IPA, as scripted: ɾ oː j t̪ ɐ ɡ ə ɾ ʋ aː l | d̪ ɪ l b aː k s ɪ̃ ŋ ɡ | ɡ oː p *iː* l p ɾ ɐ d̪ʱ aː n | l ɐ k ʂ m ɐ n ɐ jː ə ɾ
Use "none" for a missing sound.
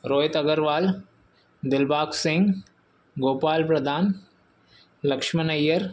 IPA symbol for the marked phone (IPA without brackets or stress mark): aː